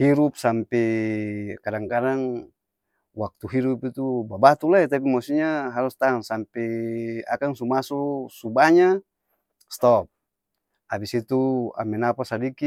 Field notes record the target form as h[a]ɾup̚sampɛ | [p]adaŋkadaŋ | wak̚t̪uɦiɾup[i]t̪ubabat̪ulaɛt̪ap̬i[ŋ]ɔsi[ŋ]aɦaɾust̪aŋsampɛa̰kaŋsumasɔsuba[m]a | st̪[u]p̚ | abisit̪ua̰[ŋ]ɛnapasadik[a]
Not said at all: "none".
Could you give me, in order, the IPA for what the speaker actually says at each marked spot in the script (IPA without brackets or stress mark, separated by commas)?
i, k, i, m, ɲ, ɲ, ɔ, m, i